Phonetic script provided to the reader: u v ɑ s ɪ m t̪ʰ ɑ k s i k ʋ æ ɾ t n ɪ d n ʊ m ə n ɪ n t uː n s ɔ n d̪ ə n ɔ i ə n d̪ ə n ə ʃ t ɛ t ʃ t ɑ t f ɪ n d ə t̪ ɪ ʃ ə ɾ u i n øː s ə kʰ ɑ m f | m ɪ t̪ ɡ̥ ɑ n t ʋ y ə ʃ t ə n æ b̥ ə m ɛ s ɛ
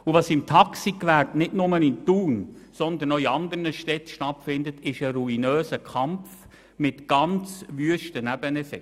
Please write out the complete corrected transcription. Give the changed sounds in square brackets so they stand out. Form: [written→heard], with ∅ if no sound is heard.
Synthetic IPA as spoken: u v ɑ s ɪ m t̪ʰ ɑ k s i k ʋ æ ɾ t n ɪ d n ʊ m ə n ɪ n t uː n s ɔ n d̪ ə n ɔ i [ə→ɑ] n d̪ ə n ə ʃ t ɛ t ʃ t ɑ t f ɪ n d ə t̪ ɪ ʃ ə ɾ u i n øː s ə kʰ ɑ m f | m ɪ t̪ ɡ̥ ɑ n [t→t͡s] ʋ y ə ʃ t ə n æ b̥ ə [m→n] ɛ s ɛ